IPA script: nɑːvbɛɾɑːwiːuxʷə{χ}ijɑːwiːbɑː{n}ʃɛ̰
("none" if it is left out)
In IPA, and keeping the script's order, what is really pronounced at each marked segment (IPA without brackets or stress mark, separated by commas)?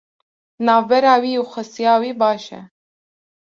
s, none